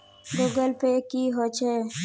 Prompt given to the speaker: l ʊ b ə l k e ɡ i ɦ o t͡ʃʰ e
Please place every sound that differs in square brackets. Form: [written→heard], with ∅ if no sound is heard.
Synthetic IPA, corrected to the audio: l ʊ [b→ɡ] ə l [k→p] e [ɡ→k] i ɦ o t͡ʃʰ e